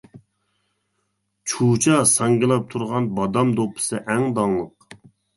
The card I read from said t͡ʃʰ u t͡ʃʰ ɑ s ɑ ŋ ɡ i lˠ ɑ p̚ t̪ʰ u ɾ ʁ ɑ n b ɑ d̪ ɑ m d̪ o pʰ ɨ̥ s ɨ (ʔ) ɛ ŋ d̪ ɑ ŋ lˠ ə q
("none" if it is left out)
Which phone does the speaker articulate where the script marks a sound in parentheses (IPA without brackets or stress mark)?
ʔ